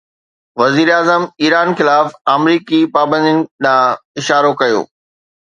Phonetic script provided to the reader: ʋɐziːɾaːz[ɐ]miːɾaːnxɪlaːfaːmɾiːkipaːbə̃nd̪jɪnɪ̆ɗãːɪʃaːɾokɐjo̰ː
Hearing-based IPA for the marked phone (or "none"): ə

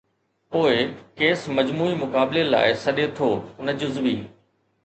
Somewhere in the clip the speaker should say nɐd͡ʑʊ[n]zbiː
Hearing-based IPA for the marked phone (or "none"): none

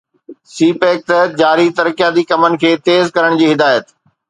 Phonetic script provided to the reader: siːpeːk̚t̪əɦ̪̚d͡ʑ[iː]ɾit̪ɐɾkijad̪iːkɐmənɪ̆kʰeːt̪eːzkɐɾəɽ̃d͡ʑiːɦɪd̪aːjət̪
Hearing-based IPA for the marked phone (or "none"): aː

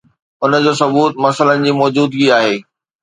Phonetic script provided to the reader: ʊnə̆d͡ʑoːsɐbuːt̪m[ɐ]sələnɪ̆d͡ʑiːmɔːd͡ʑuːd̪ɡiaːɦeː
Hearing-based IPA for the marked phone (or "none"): ɐ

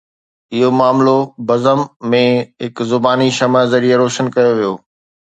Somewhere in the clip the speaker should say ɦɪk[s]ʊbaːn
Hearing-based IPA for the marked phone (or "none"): z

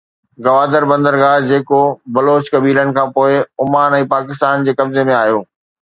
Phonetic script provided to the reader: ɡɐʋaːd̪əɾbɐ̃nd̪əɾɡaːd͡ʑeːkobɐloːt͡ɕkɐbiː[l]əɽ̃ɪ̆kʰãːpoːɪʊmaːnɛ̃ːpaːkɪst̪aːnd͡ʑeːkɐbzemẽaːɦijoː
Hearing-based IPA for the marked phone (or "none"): l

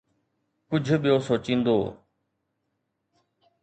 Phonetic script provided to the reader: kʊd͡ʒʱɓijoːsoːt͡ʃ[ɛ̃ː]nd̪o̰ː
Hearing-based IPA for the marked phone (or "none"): ĩː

